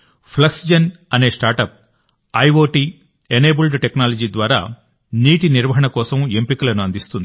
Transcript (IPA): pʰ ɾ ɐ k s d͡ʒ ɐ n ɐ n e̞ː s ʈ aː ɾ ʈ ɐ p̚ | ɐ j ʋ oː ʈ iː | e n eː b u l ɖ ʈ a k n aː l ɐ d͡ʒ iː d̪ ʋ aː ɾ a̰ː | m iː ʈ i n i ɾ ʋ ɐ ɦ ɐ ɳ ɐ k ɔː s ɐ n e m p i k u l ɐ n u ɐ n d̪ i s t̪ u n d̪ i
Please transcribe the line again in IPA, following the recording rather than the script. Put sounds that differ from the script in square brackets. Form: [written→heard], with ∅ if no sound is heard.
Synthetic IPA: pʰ [ɾ→l] ɐ k s d͡ʒ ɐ n ɐ n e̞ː s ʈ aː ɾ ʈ ɐ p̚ | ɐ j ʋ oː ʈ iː | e n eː b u l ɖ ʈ [a→e] k n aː l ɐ d͡ʒ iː d̪ ʋ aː ɾ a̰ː | [m→n] iː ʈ i n i ɾ ʋ ɐ ɦ ɐ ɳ ɐ k ɔː s ɐ [n→m] e m p i k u l ɐ n u ɐ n d̪ i s t̪ u n d̪ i

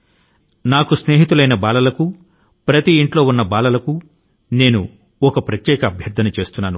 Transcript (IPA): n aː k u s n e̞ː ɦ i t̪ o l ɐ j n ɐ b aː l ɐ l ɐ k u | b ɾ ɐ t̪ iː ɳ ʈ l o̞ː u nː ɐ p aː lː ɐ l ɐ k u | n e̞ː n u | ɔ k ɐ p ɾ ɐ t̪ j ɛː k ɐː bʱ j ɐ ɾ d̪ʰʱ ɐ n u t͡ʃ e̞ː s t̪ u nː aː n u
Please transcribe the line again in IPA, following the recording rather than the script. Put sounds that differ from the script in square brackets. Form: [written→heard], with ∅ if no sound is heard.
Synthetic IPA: n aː k u s n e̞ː ɦ i t̪ [o→u] l ɐ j n ɐ b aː l ɐ l ɐ k u | [b→p] ɾ ɐ t̪ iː ɳ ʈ l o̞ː u nː ɐ [p→b] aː [lː→l] ɐ l ɐ k u | n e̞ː n u | ɔ k ɐ p ɾ ɐ t̪ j ɛː k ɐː bʱ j ɐ ɾ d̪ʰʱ ɐ n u t͡ʃ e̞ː s t̪ u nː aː n u

